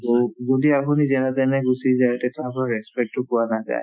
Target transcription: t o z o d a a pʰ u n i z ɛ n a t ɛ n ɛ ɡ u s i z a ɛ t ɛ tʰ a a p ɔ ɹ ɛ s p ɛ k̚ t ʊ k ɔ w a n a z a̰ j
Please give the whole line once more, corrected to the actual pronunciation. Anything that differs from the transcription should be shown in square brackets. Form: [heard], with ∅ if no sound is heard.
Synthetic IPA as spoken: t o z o d [i] a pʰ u n i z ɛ n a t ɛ n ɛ ɡ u s i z a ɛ t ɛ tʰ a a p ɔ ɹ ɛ s p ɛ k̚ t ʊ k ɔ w a n a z a̰ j